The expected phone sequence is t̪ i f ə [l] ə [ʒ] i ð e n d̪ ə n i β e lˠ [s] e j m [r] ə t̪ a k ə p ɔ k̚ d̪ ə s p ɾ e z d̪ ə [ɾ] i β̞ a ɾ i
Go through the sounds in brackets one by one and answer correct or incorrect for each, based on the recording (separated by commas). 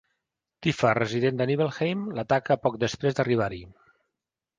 incorrect, incorrect, incorrect, incorrect, incorrect